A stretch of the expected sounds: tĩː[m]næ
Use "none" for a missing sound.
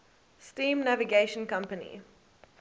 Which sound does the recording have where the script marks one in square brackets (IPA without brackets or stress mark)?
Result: m